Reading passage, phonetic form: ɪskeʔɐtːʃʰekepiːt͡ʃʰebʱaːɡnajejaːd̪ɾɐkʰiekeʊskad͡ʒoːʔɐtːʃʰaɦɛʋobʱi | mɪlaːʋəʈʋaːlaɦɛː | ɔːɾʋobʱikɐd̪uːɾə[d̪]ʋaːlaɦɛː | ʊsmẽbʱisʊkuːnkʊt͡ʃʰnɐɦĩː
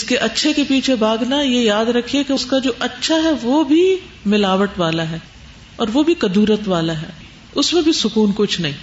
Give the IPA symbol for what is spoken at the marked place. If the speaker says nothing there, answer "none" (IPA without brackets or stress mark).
t̪